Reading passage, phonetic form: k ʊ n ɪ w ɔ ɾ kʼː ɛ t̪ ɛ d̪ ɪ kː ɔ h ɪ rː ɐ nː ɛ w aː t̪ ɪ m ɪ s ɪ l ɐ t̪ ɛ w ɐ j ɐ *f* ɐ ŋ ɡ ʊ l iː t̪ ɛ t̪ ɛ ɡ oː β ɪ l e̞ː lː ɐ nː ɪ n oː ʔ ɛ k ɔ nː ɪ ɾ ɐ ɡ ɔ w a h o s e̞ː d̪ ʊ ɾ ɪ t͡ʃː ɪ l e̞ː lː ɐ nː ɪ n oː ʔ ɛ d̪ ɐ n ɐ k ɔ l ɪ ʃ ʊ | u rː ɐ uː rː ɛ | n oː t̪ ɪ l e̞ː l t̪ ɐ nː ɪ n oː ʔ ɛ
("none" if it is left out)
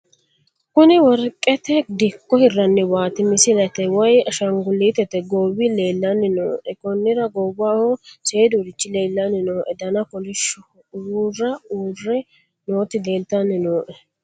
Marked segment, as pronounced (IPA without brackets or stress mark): ʃ